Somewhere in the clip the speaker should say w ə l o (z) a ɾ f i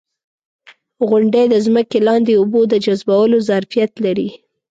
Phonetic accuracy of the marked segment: correct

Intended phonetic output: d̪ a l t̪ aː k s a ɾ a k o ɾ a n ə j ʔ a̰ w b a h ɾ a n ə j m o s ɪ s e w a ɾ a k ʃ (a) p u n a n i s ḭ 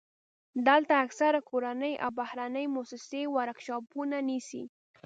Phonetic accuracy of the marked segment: incorrect: ɑ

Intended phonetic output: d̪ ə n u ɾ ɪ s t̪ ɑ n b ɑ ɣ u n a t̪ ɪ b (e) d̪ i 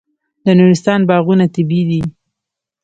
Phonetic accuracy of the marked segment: incorrect: i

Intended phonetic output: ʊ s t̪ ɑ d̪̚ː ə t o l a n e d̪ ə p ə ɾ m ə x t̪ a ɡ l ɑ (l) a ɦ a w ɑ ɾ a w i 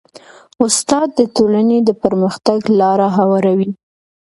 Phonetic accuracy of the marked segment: incorrect: ɾ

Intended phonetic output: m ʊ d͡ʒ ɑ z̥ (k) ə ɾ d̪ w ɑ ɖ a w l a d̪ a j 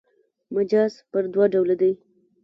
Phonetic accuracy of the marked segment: incorrect: p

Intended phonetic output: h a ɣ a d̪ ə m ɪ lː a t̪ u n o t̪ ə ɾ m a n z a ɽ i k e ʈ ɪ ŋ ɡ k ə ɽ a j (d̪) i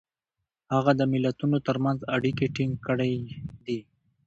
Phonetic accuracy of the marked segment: correct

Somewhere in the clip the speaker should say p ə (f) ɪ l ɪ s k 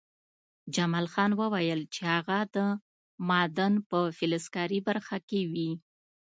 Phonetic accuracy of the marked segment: correct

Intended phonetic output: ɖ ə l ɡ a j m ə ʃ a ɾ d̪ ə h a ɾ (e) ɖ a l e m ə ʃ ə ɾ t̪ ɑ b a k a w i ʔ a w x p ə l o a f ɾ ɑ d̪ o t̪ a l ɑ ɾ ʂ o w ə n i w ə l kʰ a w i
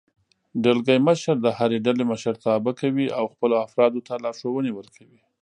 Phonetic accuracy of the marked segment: correct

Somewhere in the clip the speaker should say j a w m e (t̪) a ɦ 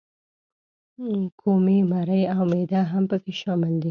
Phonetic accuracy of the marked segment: incorrect: d̪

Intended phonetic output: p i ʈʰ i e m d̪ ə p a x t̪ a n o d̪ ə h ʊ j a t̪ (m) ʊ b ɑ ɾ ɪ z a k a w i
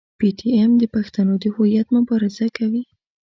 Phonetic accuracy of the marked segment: correct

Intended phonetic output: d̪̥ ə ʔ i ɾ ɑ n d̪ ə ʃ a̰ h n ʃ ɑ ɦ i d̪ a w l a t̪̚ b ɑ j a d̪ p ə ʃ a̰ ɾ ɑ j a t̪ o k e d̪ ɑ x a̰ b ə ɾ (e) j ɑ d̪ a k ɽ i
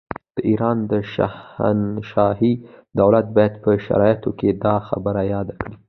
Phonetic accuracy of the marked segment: incorrect: a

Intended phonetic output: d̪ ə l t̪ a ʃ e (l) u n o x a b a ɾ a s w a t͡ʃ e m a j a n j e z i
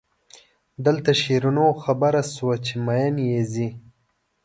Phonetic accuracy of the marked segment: incorrect: ɾ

